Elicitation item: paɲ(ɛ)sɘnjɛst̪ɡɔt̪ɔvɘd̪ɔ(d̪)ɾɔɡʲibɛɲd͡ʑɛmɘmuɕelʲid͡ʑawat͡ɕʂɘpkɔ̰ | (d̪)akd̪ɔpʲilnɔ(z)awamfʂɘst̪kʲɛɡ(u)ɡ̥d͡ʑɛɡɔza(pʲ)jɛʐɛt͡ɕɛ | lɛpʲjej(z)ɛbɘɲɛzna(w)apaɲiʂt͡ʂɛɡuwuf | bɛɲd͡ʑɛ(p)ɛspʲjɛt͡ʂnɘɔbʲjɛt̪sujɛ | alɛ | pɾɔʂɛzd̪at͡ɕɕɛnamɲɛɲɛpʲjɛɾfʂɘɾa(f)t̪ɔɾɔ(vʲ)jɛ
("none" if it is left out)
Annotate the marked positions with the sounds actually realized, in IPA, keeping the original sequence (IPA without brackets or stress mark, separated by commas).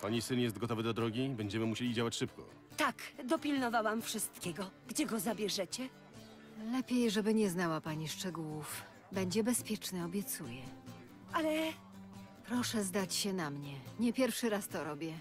i, d̪, t̪, v, ɔ, bʲ, ʐ, w, b, s, bʲ